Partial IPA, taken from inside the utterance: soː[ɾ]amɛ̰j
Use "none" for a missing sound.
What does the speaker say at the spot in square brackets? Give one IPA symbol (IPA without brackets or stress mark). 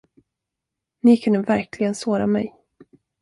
ɾ